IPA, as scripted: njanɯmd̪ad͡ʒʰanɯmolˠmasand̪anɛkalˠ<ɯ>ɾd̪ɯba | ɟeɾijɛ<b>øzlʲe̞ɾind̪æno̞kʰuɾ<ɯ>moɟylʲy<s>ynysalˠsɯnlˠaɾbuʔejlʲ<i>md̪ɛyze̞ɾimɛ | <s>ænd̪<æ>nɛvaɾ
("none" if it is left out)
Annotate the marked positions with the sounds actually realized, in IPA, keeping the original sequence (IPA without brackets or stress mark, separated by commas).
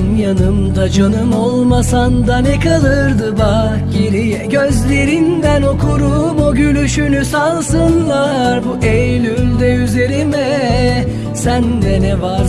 ɯ, ɟ, u, ʃ, y, s, ɛ